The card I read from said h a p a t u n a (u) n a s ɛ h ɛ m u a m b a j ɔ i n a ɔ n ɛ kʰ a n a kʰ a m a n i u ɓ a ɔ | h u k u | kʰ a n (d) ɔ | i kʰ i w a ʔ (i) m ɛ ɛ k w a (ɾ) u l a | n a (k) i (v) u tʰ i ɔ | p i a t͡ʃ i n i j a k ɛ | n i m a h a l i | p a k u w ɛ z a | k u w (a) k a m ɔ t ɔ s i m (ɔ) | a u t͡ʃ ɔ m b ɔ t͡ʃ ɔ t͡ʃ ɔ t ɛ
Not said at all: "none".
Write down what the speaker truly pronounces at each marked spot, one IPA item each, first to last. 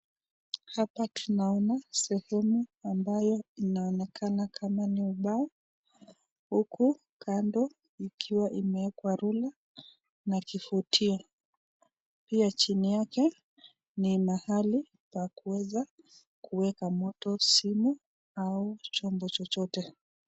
ɔ, d, i, ɾ, k, f, ɛ, u

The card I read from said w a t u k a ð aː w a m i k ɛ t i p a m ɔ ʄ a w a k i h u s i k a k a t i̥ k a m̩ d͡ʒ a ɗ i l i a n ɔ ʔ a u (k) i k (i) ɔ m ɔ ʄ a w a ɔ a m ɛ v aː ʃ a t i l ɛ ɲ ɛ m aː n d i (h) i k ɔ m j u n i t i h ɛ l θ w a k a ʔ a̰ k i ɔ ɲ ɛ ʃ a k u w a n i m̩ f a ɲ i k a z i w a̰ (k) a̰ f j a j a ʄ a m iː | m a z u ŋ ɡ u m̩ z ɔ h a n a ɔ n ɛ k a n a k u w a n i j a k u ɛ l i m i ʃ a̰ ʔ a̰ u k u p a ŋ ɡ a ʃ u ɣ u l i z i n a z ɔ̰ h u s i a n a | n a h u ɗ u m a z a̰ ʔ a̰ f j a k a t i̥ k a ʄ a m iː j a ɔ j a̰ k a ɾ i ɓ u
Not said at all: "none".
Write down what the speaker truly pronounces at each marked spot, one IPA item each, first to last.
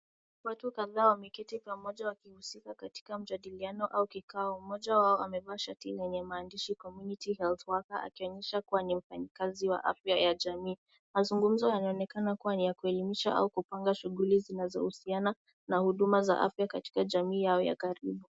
k, a, ʃ, ʔ

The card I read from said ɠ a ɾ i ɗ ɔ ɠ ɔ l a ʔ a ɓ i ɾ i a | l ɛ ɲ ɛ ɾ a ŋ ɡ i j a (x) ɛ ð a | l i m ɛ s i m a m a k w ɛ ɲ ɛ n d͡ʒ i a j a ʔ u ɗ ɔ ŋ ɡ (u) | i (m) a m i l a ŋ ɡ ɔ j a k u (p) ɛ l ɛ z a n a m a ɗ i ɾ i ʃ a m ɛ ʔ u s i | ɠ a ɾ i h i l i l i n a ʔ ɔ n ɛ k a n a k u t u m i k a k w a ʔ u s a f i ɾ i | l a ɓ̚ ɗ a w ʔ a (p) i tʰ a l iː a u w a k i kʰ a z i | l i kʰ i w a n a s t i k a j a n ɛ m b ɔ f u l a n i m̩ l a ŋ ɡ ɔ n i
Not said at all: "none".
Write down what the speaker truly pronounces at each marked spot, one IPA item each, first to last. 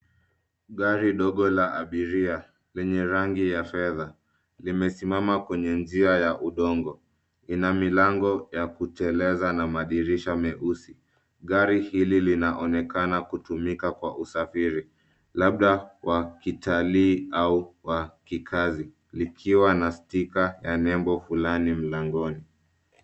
f, ɔ, n, t, k

